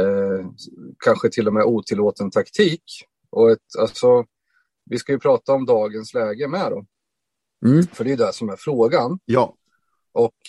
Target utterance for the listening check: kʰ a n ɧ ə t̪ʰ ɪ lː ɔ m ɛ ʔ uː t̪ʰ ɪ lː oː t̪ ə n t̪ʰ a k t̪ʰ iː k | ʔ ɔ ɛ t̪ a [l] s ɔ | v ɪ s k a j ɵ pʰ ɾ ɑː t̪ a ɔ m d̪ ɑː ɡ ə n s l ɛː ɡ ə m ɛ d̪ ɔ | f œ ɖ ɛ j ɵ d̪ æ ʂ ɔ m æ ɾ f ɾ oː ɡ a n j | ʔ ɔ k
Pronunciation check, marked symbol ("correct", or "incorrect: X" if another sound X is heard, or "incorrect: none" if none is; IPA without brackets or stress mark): correct